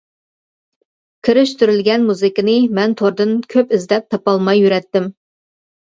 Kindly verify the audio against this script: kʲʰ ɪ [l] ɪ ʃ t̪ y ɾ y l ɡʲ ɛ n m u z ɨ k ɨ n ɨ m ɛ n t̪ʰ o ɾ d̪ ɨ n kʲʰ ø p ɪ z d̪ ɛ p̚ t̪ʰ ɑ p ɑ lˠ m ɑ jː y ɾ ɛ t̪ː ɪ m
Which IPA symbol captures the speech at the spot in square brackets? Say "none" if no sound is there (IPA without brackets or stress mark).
ɾ